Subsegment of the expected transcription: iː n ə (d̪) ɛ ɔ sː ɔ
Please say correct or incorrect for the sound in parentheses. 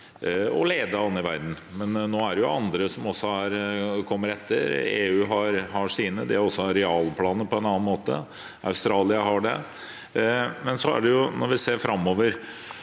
correct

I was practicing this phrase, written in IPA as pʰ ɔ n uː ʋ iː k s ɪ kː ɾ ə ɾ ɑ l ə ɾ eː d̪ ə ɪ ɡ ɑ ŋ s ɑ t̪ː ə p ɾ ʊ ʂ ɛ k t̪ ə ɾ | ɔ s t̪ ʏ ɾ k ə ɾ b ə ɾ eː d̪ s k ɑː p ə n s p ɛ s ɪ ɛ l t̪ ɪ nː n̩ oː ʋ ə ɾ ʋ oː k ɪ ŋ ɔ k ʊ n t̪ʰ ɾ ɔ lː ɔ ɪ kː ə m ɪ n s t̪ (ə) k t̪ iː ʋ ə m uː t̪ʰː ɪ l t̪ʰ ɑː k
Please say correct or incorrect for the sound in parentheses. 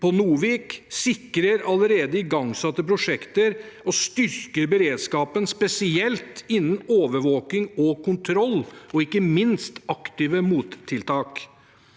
incorrect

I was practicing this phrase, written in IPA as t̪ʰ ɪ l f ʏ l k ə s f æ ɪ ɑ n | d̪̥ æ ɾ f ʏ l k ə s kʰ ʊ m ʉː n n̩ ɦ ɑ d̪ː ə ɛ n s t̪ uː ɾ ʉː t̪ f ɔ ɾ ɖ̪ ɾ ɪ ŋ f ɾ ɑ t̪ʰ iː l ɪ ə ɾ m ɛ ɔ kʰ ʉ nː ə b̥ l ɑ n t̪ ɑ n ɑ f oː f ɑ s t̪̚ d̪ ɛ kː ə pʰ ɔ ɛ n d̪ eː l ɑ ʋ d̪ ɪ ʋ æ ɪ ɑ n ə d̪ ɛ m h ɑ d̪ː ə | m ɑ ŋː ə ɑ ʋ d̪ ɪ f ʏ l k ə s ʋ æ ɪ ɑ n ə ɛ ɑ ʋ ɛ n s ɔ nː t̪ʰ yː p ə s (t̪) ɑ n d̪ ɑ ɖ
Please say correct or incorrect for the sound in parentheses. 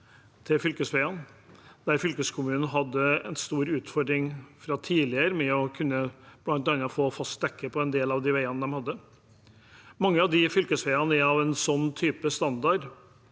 correct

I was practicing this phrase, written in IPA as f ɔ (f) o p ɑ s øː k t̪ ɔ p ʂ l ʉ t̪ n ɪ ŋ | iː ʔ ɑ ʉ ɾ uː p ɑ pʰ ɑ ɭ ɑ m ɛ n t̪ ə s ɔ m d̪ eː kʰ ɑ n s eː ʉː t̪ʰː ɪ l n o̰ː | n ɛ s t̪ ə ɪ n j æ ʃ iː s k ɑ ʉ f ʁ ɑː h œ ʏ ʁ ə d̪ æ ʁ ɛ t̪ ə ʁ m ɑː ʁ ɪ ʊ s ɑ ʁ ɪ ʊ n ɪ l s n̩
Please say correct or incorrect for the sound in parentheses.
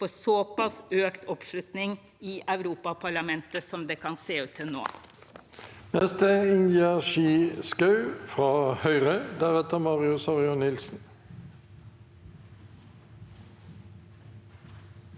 incorrect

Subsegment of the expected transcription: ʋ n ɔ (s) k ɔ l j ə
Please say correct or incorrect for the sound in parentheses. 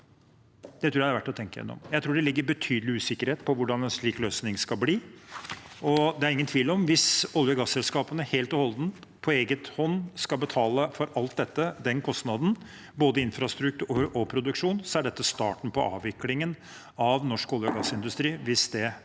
incorrect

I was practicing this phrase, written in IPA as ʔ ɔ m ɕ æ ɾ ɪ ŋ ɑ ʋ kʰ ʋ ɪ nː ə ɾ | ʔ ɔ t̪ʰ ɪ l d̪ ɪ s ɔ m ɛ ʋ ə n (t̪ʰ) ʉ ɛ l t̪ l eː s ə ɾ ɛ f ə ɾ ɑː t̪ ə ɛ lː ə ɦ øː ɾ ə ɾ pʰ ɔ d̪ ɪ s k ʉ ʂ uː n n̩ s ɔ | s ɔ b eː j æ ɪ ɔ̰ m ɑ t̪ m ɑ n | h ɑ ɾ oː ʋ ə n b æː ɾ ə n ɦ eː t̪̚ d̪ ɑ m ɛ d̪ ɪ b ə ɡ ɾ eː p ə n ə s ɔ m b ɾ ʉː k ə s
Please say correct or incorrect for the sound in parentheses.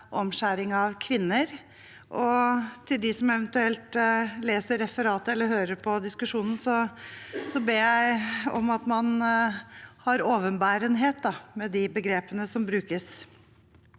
incorrect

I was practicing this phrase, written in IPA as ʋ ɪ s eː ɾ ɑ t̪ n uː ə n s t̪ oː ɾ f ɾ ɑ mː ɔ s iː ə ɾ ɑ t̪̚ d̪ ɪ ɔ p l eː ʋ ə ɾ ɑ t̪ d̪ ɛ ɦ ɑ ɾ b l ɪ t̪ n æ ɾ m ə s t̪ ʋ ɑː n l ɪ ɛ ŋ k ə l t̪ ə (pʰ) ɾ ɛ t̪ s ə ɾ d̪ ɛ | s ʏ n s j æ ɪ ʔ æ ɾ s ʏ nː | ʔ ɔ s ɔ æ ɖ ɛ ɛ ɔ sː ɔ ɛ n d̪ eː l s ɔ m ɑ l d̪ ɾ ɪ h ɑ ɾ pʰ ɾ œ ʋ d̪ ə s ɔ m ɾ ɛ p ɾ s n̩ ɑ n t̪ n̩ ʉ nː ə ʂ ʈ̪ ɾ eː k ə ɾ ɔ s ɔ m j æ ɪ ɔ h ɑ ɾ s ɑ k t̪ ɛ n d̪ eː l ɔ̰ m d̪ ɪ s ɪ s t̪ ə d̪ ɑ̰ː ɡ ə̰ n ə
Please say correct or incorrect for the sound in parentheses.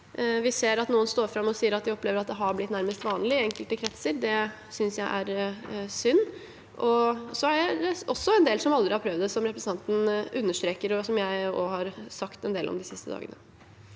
incorrect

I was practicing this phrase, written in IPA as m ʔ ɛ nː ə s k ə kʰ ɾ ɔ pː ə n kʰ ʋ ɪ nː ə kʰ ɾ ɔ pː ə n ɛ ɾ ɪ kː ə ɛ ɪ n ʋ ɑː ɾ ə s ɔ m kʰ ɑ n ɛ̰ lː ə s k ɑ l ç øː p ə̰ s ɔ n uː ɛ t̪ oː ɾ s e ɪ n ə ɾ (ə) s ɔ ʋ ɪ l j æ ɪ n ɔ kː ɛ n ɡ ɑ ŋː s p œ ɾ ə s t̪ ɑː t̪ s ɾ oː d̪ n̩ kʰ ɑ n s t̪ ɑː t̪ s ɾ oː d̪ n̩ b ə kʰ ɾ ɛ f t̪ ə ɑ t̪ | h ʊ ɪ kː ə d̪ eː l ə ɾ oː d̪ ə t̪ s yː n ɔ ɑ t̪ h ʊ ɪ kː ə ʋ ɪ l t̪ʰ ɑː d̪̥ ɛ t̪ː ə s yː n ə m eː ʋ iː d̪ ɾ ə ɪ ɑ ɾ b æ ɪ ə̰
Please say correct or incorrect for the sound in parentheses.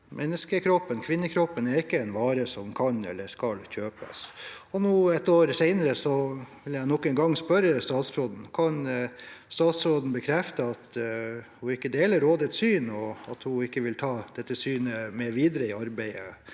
correct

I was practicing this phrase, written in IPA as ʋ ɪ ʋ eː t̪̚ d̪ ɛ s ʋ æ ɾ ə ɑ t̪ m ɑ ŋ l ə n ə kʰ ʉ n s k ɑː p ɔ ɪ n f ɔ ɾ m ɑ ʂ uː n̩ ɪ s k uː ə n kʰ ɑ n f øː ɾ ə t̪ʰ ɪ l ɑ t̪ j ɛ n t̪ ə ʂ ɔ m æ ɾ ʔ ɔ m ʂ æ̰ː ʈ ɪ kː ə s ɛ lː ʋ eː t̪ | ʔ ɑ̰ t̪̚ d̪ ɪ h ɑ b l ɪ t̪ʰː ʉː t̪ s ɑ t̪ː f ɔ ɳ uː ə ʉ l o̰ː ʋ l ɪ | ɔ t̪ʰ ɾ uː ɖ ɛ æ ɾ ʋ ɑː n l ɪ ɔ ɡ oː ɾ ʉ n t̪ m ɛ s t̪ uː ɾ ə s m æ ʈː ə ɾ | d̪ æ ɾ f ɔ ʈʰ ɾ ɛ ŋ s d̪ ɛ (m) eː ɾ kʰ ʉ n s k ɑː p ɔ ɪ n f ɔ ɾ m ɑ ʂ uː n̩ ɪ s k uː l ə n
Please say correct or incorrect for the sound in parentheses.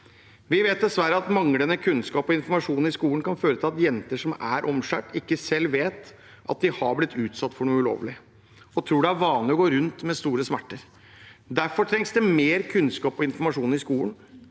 correct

